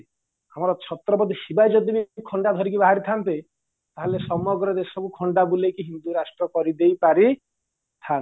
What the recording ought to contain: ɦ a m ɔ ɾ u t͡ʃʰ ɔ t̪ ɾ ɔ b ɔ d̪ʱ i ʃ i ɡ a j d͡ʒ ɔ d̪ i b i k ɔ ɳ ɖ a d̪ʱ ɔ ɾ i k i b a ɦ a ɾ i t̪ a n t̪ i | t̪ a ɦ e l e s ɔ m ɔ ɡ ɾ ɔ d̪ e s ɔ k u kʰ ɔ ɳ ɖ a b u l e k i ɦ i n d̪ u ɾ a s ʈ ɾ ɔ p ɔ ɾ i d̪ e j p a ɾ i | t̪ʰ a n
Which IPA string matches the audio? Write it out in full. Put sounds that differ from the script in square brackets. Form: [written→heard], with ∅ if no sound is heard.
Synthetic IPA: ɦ a m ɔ ɾ [u→ɔ] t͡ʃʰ ɔ t̪ ɾ ɔ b ɔ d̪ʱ i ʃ i [ɡ→b] a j d͡ʒ ɔ d̪ i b i [k→kʰ] ɔ ɳ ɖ a d̪ʱ ɔ ɾ i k i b a ɦ a ɾ i [t̪→t̪ʰ] a n t̪ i | t̪ a ɦ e l e s ɔ m ɔ ɡ ɾ ɔ d̪ e s ɔ k u kʰ ɔ ɳ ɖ a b u l e k i ɦ i n d̪ u ɾ a s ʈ ɾ ɔ [p→k] ɔ ɾ i d̪ e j p a ɾ i | t̪ʰ a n